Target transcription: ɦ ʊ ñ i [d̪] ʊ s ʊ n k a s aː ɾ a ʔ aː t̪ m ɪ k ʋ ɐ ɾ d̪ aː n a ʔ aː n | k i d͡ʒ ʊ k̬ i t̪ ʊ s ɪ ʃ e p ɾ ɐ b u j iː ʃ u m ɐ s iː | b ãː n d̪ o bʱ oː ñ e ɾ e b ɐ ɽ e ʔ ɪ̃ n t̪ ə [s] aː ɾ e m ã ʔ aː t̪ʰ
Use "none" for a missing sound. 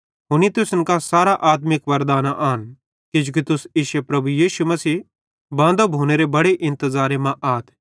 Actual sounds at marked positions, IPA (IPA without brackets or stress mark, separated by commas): t̪, z